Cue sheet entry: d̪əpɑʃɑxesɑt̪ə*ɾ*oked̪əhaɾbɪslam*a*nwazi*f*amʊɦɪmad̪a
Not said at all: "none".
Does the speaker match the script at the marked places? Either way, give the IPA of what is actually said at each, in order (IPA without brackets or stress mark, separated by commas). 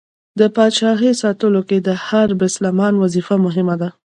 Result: l, ɑ, f